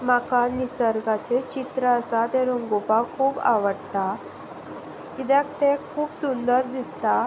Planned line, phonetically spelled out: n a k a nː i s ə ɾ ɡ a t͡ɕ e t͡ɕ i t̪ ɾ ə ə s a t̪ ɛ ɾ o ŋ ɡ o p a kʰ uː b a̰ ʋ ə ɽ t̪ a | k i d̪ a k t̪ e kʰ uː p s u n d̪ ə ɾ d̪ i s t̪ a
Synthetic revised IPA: m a k a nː i s ə ɾ ɡ a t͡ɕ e t͡ɕ i t̪ ɾ ə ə s a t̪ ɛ ɾ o ŋ ɡ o p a kʰ uː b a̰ ʋ ə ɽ t̪ a | k i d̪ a k t̪ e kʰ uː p s u n d̪ ə ɾ d̪ i s t̪ a

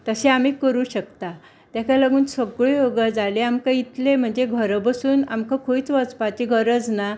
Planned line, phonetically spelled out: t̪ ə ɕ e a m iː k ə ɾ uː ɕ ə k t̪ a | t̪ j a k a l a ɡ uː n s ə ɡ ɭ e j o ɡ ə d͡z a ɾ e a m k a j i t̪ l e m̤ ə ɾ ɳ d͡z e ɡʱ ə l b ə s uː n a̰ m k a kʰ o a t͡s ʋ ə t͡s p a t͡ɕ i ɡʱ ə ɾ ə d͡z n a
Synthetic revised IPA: t̪ ə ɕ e a m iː k ə ɾ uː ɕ ə k t̪ a | t̪ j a k a l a ɡ uː n s ə ɡ ɭ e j o ɡ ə d͡z a l e a m k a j i t̪ l e m̤ ə ɳ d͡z e ɡʱ ə ɾ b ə s uː n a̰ m k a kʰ o i t͡s ʋ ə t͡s p a t͡ɕ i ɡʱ ə ɾ ə d͡z n a

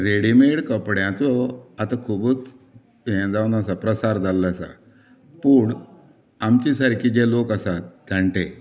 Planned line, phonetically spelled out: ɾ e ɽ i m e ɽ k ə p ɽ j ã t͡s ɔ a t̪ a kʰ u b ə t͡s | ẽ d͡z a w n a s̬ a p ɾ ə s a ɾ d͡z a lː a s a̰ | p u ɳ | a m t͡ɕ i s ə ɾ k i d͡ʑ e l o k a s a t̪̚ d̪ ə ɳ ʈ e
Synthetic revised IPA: ɾ e ɽ i m e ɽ k ə p ɽ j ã t͡s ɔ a t̪ a kʰ u b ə t͡s | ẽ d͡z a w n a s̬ a p ɾ ə s a ɾ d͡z a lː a s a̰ | p u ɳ | a m t͡ɕ i s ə ɾ k i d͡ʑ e l o k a s a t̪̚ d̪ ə ɳ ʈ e

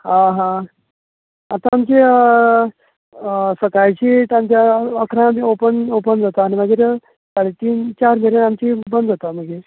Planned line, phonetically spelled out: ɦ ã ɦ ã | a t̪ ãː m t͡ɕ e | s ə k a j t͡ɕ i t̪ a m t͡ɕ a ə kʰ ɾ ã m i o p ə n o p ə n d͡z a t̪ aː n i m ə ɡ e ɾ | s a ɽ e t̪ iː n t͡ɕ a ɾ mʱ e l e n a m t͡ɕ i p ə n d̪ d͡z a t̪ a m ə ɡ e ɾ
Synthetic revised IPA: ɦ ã ɦ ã | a t̪ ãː m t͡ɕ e | s ə k a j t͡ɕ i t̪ a m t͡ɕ a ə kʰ ɾ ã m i o p ə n o p ə n d͡z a t̪ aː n i m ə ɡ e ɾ | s a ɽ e t̪ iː n t͡ɕ a ɾ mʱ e ɾ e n a m t͡ɕ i b ə n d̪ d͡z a t̪ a m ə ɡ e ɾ

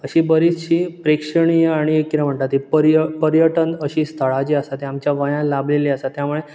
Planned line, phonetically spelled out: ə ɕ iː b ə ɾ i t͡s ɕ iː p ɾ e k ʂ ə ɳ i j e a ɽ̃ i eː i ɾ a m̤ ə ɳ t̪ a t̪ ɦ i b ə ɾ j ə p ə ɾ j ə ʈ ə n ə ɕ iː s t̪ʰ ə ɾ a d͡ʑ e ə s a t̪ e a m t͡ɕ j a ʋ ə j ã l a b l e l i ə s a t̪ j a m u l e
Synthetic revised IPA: ə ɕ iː b ə ɾ i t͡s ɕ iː p ɾ e k ʂ ə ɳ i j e a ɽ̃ i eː i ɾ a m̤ ə ɳ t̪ a t̪ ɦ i p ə ɾ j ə p ə ɾ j ə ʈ ə n ə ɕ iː s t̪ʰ ə ɭ a d͡ʑ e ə s a t̪ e a m t͡ɕ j a ʋ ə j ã l a b l e l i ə s a t̪ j a m u ɭ e

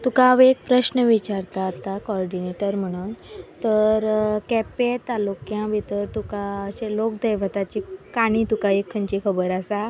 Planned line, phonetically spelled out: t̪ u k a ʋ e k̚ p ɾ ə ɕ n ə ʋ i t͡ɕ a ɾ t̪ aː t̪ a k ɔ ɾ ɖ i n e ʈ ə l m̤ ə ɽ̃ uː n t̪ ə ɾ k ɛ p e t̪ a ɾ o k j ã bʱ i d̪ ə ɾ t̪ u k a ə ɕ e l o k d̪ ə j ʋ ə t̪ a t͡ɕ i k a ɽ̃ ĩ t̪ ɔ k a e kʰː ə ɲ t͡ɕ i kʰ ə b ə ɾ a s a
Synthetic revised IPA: t̪ u k a ʋ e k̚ p ɾ ə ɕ n ə ʋ i t͡ɕ a ɾ t̪ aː t̪ a k ɔ ɾ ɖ i n e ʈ ə ɾ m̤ ə ɽ̃ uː n t̪ ə ɾ k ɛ p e t̪ a l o k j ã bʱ i t̪ ə ɾ t̪ u k a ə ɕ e l o k d̪ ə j ʋ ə t̪ a t͡ɕ i k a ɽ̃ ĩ t̪ u k a e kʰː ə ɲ t͡ɕ i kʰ ə b ə ɾ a s a

